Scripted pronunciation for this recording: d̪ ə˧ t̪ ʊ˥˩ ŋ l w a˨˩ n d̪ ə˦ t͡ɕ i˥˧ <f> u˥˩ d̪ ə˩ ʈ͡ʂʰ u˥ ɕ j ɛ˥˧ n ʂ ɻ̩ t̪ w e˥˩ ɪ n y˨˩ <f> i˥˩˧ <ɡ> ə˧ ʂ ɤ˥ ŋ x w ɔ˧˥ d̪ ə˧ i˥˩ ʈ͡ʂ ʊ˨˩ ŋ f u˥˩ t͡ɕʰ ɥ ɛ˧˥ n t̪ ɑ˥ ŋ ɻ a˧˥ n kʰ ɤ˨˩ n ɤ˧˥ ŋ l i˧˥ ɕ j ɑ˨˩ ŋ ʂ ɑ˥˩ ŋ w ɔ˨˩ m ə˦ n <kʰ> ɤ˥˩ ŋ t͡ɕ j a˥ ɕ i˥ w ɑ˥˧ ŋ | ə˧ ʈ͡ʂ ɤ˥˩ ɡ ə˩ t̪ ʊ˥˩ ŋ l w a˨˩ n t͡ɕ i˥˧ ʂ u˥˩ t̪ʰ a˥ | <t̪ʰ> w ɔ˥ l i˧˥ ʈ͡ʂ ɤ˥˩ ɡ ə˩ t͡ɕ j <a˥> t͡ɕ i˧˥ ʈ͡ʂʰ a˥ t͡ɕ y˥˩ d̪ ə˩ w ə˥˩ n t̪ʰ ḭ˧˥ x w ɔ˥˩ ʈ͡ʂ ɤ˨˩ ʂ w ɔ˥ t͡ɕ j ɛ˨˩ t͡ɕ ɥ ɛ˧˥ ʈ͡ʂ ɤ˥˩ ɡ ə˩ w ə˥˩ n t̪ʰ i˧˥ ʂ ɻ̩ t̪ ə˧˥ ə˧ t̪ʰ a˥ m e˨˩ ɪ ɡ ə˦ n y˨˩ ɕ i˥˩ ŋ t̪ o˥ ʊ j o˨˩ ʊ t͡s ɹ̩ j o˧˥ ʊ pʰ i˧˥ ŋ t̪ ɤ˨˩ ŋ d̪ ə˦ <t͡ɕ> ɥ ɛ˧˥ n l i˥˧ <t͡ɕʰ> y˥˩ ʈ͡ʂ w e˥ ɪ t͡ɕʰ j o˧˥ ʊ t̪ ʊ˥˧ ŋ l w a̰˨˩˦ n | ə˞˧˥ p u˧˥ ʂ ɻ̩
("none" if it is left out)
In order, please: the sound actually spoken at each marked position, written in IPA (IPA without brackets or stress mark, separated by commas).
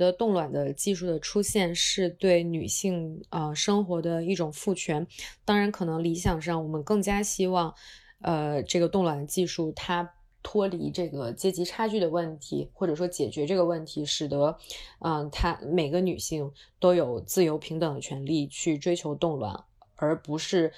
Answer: ʂ, ɕ, ŋ, k, t̪ʰ, ɛ˥, t͡ɕʰ, t͡ɕʰ